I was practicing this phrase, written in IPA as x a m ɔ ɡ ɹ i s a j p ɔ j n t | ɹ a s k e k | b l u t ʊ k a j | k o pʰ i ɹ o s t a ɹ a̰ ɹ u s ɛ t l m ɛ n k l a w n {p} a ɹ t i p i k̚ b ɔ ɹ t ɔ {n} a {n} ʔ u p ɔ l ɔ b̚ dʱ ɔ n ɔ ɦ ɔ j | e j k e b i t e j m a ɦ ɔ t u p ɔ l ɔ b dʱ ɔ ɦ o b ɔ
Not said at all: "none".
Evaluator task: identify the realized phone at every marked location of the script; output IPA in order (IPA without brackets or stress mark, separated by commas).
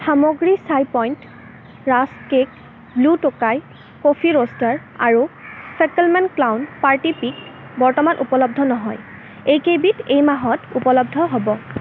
p, m, n